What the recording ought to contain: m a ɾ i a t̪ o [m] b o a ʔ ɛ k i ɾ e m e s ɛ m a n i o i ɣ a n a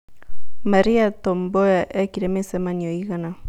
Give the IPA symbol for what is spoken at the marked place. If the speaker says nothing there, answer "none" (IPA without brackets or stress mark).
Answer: m